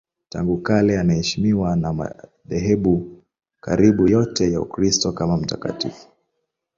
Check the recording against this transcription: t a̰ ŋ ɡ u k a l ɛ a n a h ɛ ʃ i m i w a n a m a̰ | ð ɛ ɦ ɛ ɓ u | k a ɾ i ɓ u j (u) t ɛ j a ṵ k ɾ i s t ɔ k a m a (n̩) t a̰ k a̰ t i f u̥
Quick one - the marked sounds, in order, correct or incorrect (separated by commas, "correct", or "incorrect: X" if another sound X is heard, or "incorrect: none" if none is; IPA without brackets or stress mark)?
incorrect: ɔ, incorrect: m̩